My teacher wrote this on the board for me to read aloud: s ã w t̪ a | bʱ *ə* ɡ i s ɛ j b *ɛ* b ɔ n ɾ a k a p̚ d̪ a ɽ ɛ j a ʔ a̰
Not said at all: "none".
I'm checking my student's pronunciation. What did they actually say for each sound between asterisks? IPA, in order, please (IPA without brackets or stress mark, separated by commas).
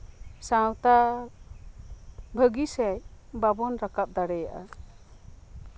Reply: ə, a